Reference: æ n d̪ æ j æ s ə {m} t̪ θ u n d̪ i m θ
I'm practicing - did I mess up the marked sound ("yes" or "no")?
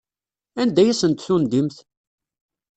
yes